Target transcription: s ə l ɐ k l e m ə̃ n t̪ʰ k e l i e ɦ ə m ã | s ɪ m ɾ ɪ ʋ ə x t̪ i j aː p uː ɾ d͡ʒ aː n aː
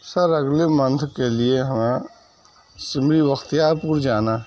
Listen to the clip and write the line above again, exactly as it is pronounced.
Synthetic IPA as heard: s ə ɾ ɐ ɡ l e m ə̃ n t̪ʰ k e l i e ɦ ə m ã | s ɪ m ɾ i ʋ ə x t̪ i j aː p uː ɾ d͡ʒ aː n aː